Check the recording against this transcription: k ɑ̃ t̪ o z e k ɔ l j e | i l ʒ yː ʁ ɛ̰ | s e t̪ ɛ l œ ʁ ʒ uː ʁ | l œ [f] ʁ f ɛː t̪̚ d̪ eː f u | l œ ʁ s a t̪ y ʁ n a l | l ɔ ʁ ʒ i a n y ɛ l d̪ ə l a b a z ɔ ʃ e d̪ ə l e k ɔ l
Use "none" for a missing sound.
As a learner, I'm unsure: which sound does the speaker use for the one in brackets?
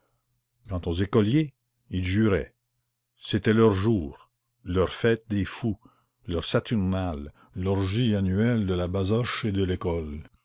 none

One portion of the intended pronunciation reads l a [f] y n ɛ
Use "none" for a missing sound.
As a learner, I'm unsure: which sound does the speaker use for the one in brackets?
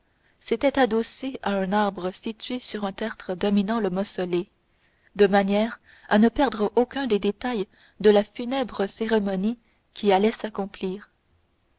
f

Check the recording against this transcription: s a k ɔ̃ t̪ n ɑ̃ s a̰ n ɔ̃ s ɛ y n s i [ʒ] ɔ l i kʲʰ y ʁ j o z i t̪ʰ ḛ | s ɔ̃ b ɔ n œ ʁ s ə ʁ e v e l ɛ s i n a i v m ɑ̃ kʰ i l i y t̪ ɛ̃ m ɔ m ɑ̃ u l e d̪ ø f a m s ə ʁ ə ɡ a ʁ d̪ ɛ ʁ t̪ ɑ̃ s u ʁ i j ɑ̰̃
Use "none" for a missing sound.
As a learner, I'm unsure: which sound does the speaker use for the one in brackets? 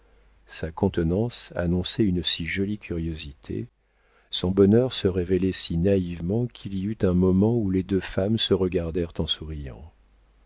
ʒ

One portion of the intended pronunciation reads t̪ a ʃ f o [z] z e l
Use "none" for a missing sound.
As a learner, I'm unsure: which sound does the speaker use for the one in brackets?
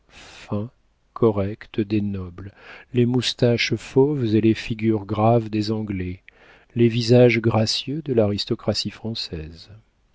v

